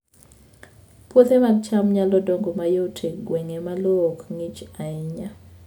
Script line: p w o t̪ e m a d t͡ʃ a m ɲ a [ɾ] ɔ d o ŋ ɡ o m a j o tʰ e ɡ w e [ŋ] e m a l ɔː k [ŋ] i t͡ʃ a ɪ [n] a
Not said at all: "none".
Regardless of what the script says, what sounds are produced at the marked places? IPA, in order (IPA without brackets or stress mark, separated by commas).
l, ŋ, ŋ, ɲ